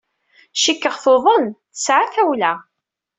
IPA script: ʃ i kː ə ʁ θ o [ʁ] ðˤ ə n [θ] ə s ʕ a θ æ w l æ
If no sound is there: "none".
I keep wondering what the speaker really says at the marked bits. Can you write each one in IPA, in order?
none, θ

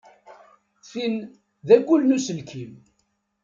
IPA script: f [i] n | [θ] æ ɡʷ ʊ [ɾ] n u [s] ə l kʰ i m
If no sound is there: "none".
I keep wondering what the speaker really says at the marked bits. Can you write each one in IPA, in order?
i, ð, l, s

